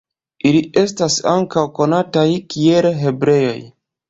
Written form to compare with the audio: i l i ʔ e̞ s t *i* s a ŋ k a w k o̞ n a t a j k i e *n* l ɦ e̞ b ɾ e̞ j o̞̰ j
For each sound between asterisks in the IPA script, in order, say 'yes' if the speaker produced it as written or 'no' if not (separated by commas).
no, no